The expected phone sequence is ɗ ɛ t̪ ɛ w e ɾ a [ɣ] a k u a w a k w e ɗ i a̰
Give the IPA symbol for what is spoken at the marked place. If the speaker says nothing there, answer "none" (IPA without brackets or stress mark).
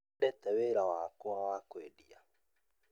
w